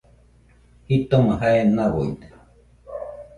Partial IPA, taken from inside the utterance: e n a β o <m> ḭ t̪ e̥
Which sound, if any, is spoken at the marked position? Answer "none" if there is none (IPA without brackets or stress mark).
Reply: none